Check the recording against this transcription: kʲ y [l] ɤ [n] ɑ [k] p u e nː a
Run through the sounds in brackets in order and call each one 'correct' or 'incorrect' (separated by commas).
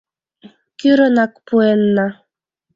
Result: incorrect, correct, correct